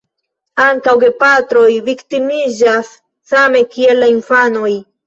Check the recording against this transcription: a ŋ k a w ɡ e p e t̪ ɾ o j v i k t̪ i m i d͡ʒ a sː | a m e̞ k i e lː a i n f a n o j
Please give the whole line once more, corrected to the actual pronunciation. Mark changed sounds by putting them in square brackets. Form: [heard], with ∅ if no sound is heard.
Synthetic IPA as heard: a ŋ k a w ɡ e p [a] t̪ ɾ o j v i k t̪ i m i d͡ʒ a sː | a m e̞ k i e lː a i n f a n o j